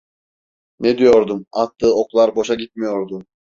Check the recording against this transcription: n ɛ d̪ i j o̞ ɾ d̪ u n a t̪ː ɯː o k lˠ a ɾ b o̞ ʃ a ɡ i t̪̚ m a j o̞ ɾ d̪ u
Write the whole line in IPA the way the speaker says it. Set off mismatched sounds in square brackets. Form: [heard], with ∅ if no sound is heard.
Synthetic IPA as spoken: n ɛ d̪ i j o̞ ɾ d̪ u [m] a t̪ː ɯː o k lˠ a ɾ b o̞ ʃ a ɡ i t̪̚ m [i] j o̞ ɾ d̪ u

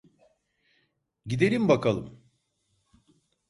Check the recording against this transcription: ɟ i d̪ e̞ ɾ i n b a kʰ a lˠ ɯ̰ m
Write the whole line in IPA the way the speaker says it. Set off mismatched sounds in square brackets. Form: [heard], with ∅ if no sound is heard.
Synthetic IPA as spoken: ɟ i d̪ e̞ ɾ i [m] b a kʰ a lˠ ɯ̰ m

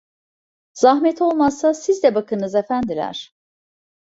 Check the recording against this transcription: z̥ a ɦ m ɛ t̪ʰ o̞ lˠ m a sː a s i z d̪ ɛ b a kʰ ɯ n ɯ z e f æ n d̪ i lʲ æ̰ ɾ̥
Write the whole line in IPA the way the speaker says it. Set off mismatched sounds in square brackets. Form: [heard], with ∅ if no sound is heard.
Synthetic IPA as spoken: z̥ a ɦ m ɛ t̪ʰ o̞ lˠ m a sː a s i z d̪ ɛ b a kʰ ɯ n ɯ z e f æ n d̪ i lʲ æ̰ ɾ̥

